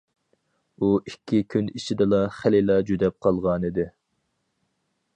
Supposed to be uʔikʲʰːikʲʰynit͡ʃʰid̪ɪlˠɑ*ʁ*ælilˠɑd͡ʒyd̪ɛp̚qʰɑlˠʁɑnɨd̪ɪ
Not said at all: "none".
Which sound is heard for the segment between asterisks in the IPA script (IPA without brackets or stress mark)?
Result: χ